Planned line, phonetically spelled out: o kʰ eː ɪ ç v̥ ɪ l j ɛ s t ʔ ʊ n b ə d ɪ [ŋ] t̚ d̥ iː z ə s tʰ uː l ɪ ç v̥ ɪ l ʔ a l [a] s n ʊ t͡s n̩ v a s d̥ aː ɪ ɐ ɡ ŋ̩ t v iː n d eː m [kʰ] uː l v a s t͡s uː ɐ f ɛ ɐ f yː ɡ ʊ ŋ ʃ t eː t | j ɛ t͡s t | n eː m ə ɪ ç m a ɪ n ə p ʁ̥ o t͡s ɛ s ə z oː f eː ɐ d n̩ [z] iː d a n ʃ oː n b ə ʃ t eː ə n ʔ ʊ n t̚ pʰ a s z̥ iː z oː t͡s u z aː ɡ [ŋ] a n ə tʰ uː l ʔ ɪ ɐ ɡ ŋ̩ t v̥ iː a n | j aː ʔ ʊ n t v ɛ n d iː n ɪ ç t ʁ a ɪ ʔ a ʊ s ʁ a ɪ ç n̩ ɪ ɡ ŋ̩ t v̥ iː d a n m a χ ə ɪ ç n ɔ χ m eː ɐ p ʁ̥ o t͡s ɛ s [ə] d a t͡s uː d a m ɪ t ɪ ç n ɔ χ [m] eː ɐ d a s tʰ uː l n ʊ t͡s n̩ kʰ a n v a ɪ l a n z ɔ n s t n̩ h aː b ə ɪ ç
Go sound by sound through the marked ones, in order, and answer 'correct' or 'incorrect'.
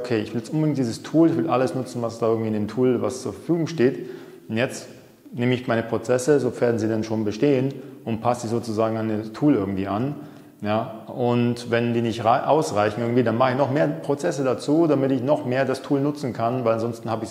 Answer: correct, incorrect, incorrect, correct, correct, correct, correct

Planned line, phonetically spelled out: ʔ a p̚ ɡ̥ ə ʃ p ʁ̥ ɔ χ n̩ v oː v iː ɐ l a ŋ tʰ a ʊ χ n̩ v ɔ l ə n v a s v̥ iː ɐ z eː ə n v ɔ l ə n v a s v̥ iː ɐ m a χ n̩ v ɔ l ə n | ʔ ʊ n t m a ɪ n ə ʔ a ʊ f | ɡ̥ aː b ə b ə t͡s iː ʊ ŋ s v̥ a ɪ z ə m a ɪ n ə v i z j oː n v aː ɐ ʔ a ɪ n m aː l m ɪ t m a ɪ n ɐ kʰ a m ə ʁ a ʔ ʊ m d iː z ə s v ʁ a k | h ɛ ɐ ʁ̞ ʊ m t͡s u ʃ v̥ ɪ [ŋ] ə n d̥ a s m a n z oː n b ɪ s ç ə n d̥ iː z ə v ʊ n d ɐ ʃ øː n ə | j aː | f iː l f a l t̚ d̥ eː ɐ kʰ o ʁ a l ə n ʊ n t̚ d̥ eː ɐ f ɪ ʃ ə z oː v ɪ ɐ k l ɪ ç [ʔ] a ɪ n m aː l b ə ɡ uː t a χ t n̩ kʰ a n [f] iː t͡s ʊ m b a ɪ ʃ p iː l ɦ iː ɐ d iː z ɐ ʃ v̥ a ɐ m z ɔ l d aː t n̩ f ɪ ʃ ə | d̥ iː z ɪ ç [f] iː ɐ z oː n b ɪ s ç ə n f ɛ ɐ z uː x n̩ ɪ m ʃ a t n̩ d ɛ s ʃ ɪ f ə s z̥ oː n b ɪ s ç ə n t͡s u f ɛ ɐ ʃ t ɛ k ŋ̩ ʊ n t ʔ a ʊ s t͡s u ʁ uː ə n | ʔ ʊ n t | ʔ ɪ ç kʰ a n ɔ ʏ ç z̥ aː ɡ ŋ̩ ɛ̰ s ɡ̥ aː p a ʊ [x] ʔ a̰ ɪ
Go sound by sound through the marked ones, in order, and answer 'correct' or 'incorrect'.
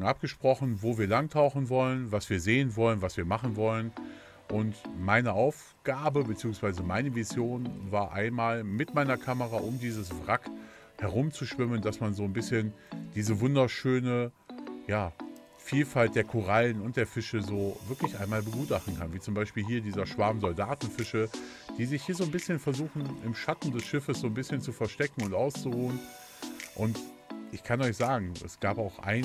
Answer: incorrect, correct, incorrect, incorrect, correct

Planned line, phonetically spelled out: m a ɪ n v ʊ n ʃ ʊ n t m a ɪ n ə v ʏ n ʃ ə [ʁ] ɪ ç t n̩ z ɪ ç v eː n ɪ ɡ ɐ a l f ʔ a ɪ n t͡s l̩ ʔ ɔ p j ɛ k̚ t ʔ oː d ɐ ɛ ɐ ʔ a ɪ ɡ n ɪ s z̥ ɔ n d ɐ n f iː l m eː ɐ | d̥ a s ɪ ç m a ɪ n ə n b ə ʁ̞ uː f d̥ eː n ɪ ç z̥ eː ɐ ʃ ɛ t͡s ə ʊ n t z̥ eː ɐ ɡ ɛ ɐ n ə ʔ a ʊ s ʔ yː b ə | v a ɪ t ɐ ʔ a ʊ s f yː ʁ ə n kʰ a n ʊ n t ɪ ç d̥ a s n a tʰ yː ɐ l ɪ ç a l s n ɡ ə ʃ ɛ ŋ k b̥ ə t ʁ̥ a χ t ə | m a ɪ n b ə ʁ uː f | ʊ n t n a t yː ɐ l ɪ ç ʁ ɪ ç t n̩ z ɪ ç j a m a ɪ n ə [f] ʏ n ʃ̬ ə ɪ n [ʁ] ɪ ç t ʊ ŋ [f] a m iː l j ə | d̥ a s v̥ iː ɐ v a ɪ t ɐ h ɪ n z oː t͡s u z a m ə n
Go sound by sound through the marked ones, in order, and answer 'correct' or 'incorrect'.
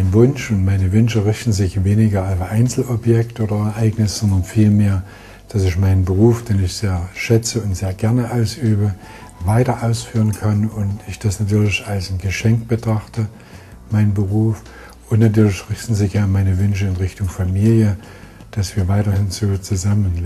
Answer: correct, incorrect, correct, correct

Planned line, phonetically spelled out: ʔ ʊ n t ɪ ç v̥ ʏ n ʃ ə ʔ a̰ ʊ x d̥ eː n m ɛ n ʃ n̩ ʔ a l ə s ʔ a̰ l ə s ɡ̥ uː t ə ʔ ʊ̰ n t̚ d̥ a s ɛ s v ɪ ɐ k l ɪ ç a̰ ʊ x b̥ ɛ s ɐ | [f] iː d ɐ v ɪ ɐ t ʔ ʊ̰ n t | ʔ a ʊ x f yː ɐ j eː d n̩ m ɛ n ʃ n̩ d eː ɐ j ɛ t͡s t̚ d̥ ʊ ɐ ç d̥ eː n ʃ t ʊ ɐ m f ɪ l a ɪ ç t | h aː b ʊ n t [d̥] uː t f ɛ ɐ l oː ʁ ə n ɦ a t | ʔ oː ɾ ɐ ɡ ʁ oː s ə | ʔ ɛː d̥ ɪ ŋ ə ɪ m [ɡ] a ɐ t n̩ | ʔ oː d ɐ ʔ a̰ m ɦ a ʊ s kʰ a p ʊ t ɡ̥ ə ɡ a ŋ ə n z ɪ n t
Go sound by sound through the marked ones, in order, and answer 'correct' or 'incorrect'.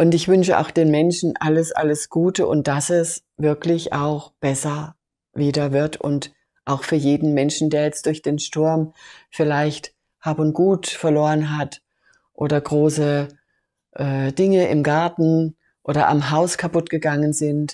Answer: incorrect, incorrect, correct

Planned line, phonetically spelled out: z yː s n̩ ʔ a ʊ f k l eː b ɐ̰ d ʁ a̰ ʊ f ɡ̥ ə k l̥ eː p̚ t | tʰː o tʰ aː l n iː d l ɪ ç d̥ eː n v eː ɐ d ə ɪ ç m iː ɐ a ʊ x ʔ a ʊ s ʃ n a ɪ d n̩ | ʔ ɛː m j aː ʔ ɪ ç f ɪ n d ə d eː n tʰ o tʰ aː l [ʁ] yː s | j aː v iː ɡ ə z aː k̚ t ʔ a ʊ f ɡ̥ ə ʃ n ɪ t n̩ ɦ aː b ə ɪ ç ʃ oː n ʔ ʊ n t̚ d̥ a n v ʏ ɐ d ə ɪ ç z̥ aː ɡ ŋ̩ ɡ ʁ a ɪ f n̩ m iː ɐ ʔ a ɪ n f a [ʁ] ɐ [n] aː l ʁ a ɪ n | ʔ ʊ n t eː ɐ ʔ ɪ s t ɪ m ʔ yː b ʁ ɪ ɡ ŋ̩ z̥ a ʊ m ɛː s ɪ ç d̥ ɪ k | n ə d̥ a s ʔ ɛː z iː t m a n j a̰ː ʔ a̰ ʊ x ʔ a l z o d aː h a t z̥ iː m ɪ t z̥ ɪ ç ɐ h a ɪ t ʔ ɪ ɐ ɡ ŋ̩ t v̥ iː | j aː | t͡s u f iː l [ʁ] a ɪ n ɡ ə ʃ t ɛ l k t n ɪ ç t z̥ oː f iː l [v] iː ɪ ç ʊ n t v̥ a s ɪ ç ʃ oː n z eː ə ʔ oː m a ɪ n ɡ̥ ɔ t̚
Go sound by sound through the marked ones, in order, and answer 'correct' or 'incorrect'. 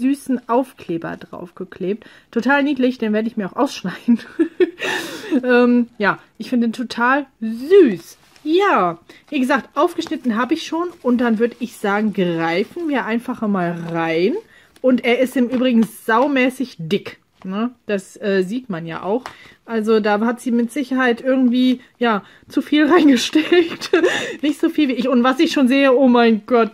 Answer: incorrect, incorrect, incorrect, correct, correct

